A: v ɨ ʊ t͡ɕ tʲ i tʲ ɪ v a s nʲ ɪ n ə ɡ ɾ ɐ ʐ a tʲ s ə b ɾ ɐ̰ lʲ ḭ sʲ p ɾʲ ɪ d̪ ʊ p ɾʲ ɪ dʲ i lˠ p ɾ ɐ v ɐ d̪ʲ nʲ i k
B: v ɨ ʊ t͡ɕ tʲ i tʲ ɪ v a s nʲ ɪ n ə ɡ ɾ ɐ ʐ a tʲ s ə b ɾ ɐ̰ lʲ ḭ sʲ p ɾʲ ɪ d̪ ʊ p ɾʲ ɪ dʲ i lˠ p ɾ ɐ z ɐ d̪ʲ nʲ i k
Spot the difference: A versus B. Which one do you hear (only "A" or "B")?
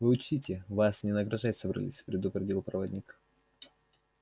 A